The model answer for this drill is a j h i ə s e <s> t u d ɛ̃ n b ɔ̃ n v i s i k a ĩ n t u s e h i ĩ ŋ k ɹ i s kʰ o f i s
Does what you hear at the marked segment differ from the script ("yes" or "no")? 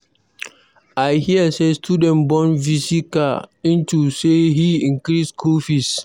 no